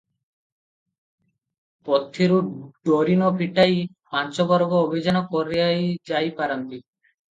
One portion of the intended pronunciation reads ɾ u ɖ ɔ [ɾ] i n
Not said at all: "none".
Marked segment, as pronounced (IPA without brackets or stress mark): ɾ